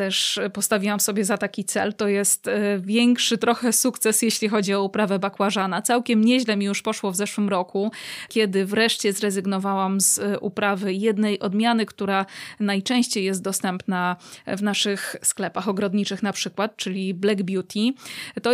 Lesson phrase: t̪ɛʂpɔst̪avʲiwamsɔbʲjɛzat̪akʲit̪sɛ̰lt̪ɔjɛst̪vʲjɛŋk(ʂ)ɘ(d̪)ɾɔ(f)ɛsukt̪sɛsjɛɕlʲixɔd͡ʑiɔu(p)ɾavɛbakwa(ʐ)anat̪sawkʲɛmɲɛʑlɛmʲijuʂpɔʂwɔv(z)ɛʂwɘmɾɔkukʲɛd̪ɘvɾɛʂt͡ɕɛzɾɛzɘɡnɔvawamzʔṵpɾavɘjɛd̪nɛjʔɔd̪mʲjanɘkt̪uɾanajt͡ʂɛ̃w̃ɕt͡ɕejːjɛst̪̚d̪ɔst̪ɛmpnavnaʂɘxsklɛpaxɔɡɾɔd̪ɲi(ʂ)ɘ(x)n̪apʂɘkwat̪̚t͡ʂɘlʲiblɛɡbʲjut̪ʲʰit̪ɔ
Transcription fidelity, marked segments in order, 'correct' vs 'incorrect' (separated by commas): correct, incorrect, incorrect, correct, correct, correct, incorrect, correct